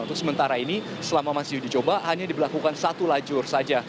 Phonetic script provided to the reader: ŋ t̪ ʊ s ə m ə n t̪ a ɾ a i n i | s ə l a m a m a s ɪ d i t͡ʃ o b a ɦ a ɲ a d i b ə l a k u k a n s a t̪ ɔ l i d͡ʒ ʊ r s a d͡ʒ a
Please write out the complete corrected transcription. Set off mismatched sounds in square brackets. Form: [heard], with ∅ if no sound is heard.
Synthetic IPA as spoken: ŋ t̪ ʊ s ə m ə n t̪ a ɾ a i n i | s ə l a m a m a s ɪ d i t͡ʃ o b a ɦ a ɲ a d i b ə l a k u k a n s a t̪ [u] l [a] d͡ʒ ʊ r s a d͡ʒ a

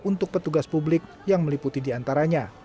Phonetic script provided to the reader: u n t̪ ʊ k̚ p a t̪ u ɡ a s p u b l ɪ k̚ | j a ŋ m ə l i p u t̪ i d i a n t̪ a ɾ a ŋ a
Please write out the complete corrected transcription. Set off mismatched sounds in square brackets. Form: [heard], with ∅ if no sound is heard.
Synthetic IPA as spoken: u n t̪ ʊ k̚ p [ə] t̪ u ɡ a s p u b l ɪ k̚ | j a ŋ m ə l i p u t̪ i d i a n t̪ a ɾ a [ɲ] a

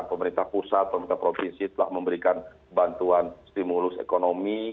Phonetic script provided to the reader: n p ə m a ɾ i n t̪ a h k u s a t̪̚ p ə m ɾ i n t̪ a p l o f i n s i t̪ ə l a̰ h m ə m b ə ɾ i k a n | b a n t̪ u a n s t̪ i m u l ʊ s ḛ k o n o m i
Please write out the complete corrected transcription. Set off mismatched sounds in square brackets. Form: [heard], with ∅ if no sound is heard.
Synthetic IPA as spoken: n p ə m [ə] ɾ i n t̪ a h [p] u s a t̪̚ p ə m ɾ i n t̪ a p [ɾ] o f i n s i t̪ ə l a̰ h m ə m b ə ɾ i k a n | b a n t̪ u a n s t̪ i m u l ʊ s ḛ k o n o m i

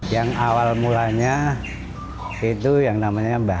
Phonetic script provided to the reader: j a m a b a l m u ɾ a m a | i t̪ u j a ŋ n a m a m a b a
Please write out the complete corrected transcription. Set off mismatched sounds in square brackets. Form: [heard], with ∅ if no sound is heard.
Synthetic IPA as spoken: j a [ŋ] a [w] a l m u [l] a [ɲ] a | i t̪ u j a ŋ n a m a [ɲ] a b a

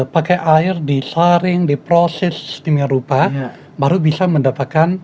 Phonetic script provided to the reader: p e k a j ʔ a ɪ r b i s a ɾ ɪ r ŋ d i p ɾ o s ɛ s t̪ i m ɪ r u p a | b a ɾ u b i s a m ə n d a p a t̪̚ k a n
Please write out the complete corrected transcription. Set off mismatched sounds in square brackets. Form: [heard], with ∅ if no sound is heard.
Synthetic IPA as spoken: p [a] k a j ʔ a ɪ r [d] i s a ɾ ɪ [∅] ŋ d i p ɾ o s ɛ s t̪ i m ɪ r u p a | b a ɾ u b i s a m ə n d a p a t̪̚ k a n

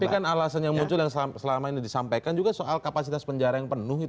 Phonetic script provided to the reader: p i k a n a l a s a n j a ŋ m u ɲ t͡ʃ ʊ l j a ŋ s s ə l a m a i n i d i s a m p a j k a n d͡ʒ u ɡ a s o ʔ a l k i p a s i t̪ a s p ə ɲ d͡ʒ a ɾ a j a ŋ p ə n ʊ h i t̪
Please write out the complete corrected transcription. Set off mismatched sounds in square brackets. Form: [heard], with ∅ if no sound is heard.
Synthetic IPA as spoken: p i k a n a l a s a n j a ŋ m u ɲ t͡ʃ ʊ l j a ŋ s s ə l a m a i n i d i s a m p a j k a n d͡ʒ u ɡ a s o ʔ a l k [a] p a s i t̪ a s p ə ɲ d͡ʒ a ɾ a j a ŋ p ə n ʊ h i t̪

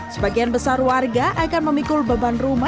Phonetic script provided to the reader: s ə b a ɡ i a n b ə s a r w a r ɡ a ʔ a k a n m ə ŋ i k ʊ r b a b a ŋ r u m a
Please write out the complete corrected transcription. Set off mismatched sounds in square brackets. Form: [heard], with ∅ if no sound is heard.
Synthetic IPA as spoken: s ə b a ɡ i a n b ə s a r w a r ɡ a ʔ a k a n m ə [m] i k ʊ [l] b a b a [n] r u m a

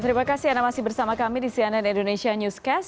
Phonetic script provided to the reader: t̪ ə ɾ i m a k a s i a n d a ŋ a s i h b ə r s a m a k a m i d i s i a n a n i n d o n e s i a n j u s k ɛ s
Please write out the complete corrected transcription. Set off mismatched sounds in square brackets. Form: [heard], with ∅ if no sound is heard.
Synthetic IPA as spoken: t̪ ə ɾ i m a k a s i a n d a [m] a s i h b ə r s a m a k a m i d i s i a n a n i n d o n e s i a n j u s k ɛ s

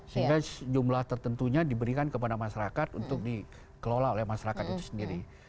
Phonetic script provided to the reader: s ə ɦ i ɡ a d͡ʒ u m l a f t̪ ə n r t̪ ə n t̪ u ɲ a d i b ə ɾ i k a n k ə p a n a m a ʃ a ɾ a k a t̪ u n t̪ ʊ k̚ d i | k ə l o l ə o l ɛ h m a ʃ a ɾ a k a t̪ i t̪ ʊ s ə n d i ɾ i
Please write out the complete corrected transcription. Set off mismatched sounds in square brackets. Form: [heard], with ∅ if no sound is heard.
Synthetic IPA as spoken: s ə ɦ i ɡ a d͡ʒ u m l a [h] t̪ ə [∅] r t̪ ə n t̪ u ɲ a d i b ə ɾ i k a n k ə p a [d] a m a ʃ a ɾ a k a t̪ u n t̪ ʊ k̚ d i | k ə l o l [a] o l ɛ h m a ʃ a ɾ a k a t̪ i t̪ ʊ s ə n d i ɾ i

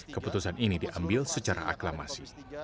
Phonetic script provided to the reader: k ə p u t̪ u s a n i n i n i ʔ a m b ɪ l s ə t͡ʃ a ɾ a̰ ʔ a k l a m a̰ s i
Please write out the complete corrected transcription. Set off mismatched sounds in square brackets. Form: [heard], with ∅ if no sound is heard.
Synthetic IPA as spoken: k ə p u t̪ u s a n i n i [d] i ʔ a m b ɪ l s ə t͡ʃ a ɾ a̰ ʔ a k l a m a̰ s i

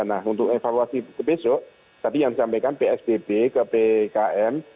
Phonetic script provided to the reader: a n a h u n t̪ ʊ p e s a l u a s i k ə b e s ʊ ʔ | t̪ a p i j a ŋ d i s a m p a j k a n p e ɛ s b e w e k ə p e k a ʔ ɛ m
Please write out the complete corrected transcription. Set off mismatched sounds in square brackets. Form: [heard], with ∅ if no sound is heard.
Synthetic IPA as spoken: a n a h u n t̪ ʊ [k] e [f] a l u a s i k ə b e s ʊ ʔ | t̪ a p i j a ŋ d i s a m p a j k a n p e ɛ s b e [b] e k ə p e k a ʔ ɛ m

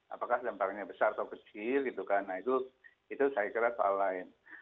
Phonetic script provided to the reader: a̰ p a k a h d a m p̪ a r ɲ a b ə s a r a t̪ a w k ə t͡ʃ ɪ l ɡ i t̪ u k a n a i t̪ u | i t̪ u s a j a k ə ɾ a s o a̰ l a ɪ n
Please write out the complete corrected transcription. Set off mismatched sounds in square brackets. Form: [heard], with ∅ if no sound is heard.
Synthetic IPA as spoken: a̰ p a k a h d a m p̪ a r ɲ a b ə s a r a t̪ a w k ə t͡ʃ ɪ l ɡ i t̪ u k a n a i t̪ u | i t̪ u s a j a k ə ɾ a s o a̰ l a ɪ n

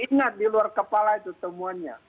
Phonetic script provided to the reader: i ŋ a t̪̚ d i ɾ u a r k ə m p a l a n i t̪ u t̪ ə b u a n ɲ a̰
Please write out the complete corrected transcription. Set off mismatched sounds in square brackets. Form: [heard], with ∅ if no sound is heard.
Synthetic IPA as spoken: i ŋ a t̪̚ d i [l] u a r k ə [∅] p a l a [∅] i t̪ u t̪ ə [m] u a n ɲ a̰

